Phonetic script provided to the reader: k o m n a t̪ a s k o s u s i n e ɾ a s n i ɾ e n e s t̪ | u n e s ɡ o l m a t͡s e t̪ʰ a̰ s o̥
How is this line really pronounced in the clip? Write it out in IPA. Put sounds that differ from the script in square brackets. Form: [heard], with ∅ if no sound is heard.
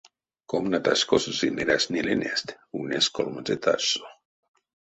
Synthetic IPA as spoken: k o m n a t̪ a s k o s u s i n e ɾ a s n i [l] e n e s t̪ | u n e s [k] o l m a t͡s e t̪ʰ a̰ s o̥

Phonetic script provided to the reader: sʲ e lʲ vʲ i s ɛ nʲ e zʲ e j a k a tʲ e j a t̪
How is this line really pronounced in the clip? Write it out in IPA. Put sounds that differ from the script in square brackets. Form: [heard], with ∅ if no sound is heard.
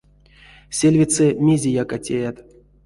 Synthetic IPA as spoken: sʲ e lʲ vʲ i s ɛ [mʲ] e zʲ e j a k a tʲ e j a t̪

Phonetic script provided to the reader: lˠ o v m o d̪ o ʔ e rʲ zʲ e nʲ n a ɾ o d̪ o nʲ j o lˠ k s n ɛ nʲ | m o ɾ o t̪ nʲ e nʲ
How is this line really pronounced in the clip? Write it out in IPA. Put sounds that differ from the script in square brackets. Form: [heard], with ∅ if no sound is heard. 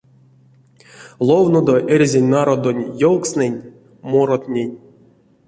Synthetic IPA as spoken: lˠ o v [n] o d̪ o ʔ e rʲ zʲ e nʲ n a ɾ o d̪ o nʲ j o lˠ k s n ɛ nʲ | m o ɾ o t̪ nʲ e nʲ

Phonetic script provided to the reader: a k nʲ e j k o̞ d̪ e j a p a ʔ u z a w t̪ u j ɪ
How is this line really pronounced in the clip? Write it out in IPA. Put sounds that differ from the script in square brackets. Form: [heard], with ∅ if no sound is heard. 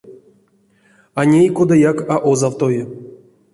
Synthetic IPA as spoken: a [∅] nʲ e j k o̞ d̪ [a] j a [k] a ʔ [o] z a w t̪ [o] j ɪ

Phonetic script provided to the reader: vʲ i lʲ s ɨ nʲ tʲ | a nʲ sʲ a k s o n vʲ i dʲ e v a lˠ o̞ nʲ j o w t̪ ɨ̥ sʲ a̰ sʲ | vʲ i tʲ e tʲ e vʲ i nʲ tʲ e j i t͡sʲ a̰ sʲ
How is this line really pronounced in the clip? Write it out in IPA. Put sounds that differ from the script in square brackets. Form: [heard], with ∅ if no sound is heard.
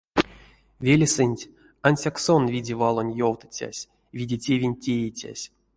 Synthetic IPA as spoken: vʲ [e] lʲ s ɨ nʲ tʲ | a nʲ sʲ a k s o n vʲ i dʲ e v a lˠ o̞ nʲ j o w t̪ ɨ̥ [t͡sʲ] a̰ sʲ | vʲ i [dʲ] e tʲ e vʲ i nʲ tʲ e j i t͡sʲ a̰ sʲ

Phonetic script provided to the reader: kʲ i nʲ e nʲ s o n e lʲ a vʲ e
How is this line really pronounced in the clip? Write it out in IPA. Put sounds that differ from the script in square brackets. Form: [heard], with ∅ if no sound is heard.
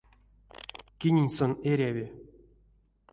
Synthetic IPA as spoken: kʲ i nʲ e nʲ s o n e [ɾʲ] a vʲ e

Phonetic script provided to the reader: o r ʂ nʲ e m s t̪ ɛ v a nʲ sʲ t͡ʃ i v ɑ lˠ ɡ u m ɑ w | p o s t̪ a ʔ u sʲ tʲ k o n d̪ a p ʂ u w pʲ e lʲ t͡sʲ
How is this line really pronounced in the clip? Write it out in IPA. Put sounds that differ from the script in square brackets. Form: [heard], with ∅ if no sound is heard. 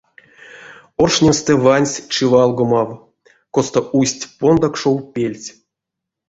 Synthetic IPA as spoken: o r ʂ nʲ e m s t̪ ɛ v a nʲ sʲ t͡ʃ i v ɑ lˠ ɡ [o] m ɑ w | [k] o s t̪ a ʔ u sʲ tʲ [p] o n d̪ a [k] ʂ [o] w pʲ e lʲ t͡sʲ

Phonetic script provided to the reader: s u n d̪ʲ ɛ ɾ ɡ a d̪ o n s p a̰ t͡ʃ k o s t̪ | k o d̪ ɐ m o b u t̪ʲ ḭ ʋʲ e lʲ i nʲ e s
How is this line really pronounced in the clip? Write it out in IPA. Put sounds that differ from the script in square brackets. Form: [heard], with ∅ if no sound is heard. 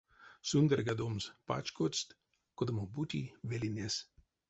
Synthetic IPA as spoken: s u n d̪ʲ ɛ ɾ ɡ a d̪ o [m] s p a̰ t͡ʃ k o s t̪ | k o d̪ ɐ m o b u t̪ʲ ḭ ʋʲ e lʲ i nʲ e s

